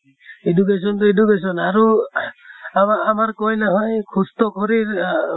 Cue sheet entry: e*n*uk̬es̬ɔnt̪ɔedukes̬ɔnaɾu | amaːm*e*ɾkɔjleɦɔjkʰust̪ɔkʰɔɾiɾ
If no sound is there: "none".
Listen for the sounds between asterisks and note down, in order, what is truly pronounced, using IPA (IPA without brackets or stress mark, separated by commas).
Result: d, a